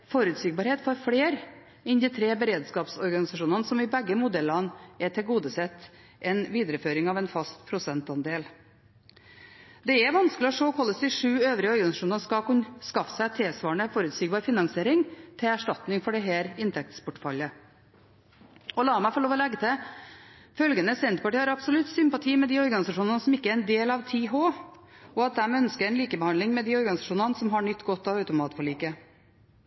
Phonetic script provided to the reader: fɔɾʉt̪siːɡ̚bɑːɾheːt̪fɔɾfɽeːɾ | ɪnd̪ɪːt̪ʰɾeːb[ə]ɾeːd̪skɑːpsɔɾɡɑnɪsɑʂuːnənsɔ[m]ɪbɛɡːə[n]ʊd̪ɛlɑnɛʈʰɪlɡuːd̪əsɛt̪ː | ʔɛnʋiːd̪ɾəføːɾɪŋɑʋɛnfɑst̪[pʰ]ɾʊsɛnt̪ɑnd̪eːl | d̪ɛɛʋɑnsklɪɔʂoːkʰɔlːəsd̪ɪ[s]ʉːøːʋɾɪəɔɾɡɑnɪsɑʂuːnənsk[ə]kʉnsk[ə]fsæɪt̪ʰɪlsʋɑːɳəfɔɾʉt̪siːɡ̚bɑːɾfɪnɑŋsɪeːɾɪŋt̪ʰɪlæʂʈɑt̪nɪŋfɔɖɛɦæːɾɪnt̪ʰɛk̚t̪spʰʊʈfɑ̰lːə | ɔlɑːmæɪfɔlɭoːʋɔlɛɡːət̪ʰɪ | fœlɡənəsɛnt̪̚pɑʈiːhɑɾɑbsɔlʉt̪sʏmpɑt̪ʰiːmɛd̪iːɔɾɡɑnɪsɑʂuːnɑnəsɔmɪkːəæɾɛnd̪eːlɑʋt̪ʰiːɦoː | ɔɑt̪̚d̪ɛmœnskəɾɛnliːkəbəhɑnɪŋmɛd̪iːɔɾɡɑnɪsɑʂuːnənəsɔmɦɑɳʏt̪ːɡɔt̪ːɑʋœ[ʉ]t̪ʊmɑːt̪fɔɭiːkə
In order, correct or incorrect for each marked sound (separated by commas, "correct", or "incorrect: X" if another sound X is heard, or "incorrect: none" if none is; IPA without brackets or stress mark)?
correct, correct, incorrect: m, correct, incorrect: ʂ, incorrect: ɑ, incorrect: ɑ, correct